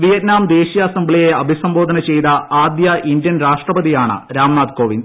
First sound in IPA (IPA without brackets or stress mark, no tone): ʋ